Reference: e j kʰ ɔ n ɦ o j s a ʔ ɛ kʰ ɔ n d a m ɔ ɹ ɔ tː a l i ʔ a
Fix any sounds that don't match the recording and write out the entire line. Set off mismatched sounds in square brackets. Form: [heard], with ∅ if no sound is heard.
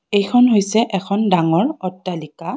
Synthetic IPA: e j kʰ ɔ n ɦ o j s [ɛ] ʔ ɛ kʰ ɔ n d a [ŋ] ɔ ɹ ɔ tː a l i [k] a